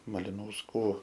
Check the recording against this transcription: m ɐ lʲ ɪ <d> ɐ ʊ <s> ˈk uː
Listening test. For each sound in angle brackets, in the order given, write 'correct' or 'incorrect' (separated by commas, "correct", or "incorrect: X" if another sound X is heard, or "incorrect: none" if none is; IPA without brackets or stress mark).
incorrect: n, correct